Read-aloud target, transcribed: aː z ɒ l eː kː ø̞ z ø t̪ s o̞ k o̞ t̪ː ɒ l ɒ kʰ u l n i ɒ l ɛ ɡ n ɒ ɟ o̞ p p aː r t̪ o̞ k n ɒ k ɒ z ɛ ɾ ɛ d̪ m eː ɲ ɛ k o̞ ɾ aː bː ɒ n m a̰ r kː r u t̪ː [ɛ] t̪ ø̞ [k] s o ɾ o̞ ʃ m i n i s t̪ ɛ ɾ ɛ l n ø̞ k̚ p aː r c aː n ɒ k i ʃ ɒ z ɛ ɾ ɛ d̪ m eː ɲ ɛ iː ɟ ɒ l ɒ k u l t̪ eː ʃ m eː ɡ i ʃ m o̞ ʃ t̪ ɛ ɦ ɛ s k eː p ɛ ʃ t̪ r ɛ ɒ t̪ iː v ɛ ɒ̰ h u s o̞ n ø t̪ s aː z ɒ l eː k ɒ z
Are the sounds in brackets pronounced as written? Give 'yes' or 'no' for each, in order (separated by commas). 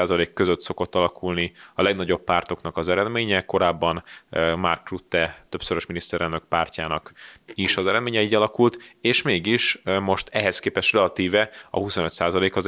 yes, no